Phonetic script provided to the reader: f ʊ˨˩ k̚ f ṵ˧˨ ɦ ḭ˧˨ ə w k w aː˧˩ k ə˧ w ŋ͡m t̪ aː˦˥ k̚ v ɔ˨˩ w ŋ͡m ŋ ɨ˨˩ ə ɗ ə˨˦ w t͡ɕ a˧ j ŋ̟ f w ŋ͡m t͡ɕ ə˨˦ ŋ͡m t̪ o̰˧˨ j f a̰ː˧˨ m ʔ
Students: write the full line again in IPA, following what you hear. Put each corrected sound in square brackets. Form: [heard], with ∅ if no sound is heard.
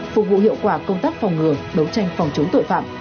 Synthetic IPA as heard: f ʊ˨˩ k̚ [v] ṵ˧˨ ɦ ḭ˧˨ ə w k w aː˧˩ k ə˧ w ŋ͡m t̪ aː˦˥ k̚ [f] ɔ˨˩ w ŋ͡m ŋ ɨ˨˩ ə ɗ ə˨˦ w t͡ɕ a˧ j ŋ̟ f w ŋ͡m t͡ɕ ə˨˦ ŋ͡m t̪ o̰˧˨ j f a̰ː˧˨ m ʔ